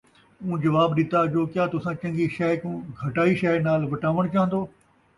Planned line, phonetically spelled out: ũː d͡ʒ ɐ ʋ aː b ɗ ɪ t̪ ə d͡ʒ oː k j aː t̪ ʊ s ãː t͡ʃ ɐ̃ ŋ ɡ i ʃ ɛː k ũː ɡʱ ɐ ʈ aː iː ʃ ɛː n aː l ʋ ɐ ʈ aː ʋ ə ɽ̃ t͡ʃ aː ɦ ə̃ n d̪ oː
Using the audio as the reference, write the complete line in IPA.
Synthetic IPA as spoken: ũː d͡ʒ ɐ ʋ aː b ɗ ɪ t̪ a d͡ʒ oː k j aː t̪ ʊ s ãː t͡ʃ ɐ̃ ŋ ɡ i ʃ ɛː k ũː ɡʱ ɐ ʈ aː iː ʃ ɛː n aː l ʋ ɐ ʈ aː ʋ ə ɽ̃ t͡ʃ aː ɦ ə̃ n d̪ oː

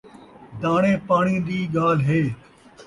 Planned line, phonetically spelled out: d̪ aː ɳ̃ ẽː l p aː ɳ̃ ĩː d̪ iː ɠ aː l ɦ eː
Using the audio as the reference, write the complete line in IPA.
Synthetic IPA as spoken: d̪ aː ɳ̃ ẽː p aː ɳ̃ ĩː d̪ iː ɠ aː l ɦ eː

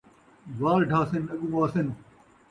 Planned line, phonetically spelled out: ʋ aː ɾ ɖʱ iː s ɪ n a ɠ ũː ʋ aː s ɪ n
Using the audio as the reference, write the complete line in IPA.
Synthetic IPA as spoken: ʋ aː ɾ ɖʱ aː s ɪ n ɐ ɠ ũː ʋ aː s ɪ n

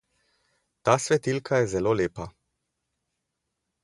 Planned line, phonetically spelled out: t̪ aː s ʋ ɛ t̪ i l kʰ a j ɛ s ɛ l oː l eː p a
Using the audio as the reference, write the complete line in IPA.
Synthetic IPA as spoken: t̪ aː s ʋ ɛ t̪ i l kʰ a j ɛ z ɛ l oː l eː p a

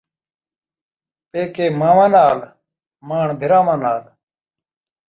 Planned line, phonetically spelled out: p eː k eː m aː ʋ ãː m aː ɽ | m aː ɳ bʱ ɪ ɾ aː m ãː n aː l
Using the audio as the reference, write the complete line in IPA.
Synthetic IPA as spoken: p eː k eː m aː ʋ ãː n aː l | m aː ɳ bʱ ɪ ɾ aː m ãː n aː l

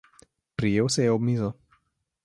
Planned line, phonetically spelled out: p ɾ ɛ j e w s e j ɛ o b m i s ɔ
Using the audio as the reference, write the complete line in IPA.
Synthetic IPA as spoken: p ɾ i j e w s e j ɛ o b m i z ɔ

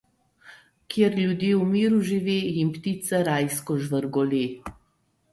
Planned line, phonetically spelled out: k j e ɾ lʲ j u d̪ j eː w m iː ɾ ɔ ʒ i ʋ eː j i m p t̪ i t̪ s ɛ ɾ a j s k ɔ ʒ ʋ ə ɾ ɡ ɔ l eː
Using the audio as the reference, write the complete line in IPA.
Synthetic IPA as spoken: k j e ɾ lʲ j u d̪ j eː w m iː ɾ u ʒ i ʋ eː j i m p t̪ i t̪ s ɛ ɾ a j s k ɔ ʒ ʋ ə ɾ ɡ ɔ l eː

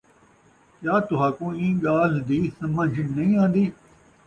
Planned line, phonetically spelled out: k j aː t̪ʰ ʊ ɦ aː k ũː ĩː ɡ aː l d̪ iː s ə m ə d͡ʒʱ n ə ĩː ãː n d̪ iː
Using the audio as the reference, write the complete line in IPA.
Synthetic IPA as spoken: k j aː t̪ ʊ ɦ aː k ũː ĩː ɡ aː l d̪ iː s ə m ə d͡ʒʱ n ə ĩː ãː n d̪ iː

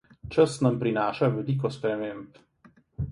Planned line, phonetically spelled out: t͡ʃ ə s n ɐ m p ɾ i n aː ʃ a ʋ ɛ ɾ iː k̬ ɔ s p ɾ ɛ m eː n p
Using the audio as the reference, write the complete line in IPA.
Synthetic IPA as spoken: t͡ʃ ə s n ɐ m p ɾ i n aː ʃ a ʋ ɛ l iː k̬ ɔ s p ɾ ɛ m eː m p

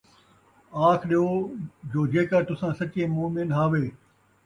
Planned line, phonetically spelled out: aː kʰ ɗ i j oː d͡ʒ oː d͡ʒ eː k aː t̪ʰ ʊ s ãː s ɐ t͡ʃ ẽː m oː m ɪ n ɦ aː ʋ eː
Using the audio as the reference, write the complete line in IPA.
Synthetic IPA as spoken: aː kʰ ɗ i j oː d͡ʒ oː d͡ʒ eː k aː t̪ ʊ s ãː s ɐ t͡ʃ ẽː m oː m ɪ n ɦ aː ʋ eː

